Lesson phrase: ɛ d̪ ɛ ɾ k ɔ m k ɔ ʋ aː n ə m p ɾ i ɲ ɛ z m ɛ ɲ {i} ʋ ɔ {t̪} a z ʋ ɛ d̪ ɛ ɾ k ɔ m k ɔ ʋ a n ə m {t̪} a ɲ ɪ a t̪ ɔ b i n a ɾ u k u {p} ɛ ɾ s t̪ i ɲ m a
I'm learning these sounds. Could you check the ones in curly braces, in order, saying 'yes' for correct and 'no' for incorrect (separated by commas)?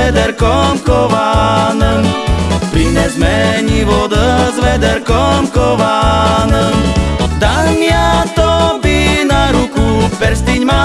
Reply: yes, no, no, yes